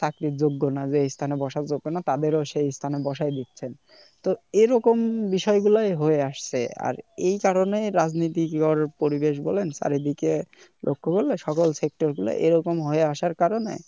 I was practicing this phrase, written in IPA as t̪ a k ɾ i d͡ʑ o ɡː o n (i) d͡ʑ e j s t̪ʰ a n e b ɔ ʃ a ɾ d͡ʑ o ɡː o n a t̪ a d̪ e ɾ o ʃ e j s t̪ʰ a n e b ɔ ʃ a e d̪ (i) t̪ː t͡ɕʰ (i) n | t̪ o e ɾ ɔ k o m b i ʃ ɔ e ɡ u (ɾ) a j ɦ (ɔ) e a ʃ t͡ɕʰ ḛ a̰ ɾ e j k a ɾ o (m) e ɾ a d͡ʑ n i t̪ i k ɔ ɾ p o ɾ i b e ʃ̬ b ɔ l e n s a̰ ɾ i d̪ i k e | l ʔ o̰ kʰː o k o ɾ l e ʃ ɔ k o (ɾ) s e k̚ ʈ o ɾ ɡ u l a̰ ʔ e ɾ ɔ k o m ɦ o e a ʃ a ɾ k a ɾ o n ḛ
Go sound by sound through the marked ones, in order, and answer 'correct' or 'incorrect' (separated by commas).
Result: incorrect, correct, incorrect, incorrect, incorrect, incorrect, incorrect